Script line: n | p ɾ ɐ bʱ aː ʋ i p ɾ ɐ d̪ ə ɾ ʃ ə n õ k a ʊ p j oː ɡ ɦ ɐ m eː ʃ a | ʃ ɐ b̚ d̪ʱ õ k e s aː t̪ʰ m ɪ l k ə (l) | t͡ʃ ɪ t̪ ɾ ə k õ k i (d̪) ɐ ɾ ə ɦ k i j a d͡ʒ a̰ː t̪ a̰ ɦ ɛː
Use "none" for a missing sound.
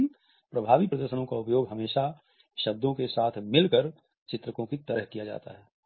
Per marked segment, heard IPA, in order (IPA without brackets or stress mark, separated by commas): ɾ, t̪